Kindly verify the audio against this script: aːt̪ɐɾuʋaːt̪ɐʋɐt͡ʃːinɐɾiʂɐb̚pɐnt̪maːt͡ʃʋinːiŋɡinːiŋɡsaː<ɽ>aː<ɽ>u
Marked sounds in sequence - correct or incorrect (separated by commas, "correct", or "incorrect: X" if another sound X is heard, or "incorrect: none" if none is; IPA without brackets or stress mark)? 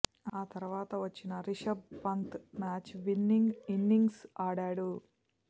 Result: correct, correct